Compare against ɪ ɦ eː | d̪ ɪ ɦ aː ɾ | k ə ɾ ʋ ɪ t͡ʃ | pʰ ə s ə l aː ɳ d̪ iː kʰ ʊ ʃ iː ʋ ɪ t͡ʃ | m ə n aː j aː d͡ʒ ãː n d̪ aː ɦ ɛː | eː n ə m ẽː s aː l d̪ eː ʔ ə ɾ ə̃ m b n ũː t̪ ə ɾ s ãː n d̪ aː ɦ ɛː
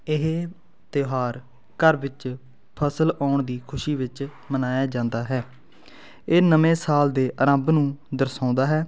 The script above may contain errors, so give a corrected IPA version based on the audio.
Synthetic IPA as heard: ɪ ɦ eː | t̪ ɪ ɦ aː ɾ | k ə ɾ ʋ ɪ t͡ʃ | pʰ ə s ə l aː ɳ d̪ iː kʰ ʊ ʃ iː ʋ ɪ t͡ʃ | m ə n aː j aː d͡ʒ ãː n d̪ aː ɦ ɛː | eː n ə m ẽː s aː l d̪ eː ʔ ə ɾ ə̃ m b n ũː d̪ ə ɾ s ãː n d̪ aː ɦ ɛː